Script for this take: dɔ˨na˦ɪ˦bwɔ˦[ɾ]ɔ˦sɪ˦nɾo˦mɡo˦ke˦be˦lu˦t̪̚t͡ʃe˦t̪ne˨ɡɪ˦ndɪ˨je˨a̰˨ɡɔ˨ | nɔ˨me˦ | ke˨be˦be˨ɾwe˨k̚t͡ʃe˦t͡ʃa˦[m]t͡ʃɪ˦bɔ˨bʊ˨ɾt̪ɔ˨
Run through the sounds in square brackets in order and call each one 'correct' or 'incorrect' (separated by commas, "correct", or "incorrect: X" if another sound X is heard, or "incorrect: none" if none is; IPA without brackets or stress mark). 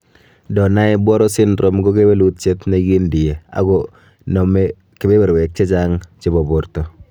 correct, incorrect: ŋ